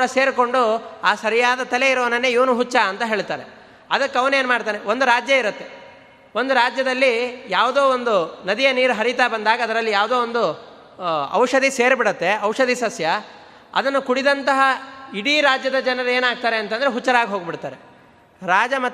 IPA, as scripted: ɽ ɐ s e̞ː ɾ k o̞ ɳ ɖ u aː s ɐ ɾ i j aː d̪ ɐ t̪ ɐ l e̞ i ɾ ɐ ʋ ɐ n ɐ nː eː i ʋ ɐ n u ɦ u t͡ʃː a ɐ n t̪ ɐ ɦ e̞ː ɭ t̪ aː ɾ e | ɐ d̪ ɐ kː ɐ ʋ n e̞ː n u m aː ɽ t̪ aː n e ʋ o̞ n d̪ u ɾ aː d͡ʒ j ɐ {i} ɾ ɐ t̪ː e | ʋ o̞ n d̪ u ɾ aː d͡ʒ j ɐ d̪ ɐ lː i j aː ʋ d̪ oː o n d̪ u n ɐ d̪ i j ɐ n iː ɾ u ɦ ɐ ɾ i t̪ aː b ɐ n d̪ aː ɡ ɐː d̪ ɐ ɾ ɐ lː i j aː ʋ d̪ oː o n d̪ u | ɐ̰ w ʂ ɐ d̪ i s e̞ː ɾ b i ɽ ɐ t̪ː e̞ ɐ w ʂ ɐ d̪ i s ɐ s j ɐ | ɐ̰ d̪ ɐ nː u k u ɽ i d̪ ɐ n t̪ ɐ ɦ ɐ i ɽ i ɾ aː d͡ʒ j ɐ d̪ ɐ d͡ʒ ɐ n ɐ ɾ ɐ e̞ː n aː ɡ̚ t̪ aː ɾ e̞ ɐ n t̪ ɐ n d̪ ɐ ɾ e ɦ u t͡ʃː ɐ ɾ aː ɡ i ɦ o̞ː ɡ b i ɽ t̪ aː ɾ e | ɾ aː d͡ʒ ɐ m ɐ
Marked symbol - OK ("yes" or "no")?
yes